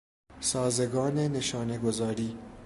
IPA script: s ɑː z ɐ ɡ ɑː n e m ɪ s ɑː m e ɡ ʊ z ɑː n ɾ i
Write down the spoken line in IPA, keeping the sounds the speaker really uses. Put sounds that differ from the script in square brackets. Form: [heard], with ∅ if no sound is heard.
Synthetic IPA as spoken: s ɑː z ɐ ɡ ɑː n e [n] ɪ [ʃ] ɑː [n] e ɡ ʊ z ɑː [∅] ɾ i